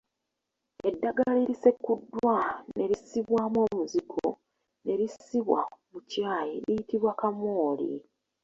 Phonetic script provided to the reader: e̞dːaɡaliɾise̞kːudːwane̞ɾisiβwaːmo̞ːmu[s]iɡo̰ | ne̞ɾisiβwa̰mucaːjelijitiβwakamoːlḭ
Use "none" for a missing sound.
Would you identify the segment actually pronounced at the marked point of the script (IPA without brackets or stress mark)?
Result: z